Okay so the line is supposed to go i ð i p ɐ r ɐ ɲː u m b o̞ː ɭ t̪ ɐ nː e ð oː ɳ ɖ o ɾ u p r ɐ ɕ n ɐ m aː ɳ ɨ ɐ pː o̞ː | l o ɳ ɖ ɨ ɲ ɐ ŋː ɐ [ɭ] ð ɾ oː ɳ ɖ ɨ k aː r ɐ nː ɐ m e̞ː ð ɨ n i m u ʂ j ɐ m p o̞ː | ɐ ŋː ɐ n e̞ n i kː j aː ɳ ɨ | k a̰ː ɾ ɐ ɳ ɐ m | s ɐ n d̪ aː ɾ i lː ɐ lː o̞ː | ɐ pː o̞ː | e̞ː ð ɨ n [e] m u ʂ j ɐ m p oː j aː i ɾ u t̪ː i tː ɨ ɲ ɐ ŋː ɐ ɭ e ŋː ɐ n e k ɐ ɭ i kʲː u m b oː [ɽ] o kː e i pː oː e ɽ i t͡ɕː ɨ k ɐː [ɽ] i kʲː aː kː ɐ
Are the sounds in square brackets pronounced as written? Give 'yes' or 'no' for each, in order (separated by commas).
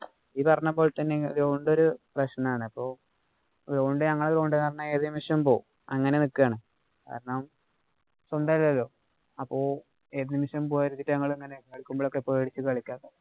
yes, no, no, no